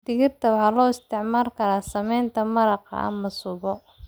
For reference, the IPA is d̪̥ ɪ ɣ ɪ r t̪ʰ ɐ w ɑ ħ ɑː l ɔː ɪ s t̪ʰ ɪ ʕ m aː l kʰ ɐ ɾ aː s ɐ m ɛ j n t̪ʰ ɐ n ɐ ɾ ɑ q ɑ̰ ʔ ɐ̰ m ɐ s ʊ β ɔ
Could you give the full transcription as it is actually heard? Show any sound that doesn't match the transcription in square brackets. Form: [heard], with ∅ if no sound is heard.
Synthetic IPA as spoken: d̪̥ ɪ ɣ ɪ r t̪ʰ ɐ w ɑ ħ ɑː l ɔː ɪ s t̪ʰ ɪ ʕ m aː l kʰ ɐ ɾ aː s ɐ m ɛ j n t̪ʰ ɐ [m] ɐ ɾ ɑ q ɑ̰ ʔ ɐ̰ m ɐ s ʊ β ɔ